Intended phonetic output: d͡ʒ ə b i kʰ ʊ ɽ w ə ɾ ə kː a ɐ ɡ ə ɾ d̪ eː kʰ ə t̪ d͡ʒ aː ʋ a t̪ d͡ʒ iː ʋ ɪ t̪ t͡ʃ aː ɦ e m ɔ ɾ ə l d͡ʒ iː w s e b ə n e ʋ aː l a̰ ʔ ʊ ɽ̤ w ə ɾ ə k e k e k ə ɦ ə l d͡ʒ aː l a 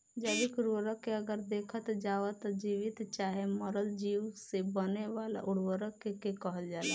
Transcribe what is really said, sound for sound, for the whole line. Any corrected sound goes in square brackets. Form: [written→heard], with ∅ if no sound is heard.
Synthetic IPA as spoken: d͡ʒ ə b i [kʰ→k] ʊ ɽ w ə ɾ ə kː [a→e] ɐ ɡ ə ɾ d̪ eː kʰ ə t̪ d͡ʒ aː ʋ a t̪ d͡ʒ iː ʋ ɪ t̪ t͡ʃ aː ɦ e m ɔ ɾ ə l d͡ʒ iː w s e b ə n e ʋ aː l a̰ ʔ ʊ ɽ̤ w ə ɾ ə k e k e k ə ɦ ə l d͡ʒ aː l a